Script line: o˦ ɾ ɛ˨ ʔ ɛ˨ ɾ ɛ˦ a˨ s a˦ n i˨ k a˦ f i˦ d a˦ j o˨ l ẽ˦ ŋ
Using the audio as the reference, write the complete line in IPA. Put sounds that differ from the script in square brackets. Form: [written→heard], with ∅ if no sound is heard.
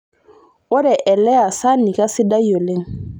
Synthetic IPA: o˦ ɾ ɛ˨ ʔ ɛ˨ [ɾ→l] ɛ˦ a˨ s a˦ n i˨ k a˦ [f→s] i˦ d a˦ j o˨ l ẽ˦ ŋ